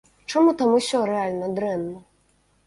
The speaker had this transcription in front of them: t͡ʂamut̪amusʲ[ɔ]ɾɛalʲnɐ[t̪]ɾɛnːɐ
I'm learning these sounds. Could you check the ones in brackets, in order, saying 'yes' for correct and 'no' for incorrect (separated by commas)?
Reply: yes, no